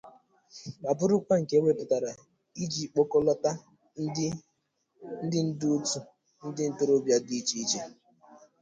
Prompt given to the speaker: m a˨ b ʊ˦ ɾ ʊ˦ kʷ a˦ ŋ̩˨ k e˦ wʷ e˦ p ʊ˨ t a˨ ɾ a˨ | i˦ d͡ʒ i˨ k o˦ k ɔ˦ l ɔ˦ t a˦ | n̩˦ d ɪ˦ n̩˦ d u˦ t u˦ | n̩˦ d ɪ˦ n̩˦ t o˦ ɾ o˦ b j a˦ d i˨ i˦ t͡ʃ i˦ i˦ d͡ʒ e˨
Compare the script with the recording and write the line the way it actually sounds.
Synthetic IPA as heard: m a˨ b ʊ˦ ɾ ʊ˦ kʷ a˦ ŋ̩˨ k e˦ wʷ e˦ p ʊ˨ t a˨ ɾ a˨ | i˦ d͡ʒ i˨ k͡p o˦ k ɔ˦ l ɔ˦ t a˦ | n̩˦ d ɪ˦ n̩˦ d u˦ t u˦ | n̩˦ d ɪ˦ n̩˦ t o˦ ɾ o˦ b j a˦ d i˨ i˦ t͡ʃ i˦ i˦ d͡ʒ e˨